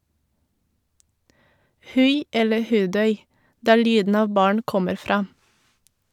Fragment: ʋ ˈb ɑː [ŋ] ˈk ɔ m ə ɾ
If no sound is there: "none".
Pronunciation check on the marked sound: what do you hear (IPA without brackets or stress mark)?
ɳ